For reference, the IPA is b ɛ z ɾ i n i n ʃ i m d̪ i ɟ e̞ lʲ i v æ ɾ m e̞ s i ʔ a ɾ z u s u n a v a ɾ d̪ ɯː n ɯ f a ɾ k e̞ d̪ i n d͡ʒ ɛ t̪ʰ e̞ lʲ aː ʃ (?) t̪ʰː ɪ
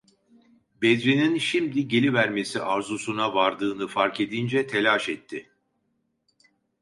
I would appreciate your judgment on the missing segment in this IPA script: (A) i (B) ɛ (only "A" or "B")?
B